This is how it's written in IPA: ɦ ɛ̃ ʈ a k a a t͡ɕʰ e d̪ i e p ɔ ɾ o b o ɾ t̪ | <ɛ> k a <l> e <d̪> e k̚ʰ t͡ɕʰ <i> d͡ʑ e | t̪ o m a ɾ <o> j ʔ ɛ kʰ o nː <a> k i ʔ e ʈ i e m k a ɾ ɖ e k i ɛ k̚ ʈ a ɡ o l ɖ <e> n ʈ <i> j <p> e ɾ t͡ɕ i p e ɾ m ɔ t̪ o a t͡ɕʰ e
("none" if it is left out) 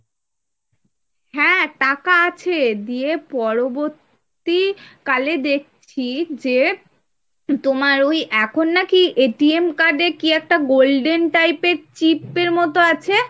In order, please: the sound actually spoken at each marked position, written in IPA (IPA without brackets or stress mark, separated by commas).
i, l, d̪, i, o, a, e, a, p